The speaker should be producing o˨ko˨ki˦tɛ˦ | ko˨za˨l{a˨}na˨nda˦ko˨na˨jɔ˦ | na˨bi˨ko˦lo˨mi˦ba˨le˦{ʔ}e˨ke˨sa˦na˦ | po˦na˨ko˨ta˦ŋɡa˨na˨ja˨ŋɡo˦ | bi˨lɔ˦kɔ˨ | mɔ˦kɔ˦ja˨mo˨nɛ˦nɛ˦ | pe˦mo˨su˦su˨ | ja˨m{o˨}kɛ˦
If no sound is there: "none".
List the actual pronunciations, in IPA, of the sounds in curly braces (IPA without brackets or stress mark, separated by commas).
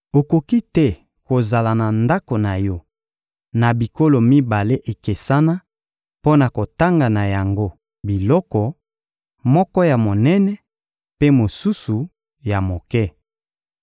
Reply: a˨, ʔ, o˨